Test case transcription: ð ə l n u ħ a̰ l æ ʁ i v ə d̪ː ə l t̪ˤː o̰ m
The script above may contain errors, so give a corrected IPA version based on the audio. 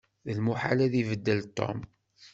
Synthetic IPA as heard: ð ə l m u ħ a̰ l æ ð i v ə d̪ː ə l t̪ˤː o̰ m